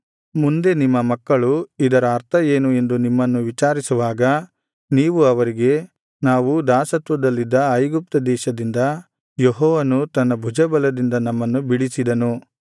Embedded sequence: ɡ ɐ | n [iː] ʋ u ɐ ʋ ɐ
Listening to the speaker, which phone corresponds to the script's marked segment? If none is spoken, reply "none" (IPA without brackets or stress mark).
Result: iː